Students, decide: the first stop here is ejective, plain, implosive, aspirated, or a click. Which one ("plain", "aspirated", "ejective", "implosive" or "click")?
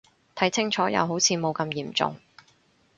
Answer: aspirated